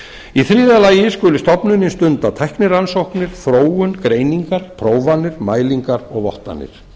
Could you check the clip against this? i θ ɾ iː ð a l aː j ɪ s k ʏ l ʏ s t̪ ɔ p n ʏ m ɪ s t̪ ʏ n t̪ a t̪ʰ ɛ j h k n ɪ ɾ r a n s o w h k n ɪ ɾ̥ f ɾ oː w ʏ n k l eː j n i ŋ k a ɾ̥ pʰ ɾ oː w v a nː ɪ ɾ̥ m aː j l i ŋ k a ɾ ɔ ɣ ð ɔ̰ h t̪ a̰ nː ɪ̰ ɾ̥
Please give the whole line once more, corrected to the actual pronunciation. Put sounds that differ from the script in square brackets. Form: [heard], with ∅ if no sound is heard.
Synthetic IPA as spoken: i θ ɾ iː ð a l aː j ɪ s k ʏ l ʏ s t̪ ɔ p n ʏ [n] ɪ s t̪ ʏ n t̪ a t̪ʰ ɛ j h k n ɪ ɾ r a n s o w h k n ɪ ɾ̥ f ɾ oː w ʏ n k [ɾ] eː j n i ŋ k a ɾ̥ pʰ ɾ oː w v a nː ɪ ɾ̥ m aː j l i ŋ k a ɾ ɔ ɣ [v] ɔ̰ h t̪ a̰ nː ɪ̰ ɾ̥